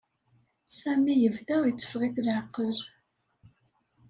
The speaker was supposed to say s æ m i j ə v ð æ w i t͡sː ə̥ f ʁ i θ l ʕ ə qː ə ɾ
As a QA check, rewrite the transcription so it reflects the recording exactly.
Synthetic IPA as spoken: s æ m i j ə v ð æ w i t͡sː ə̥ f ʁ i θ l ʕ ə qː ə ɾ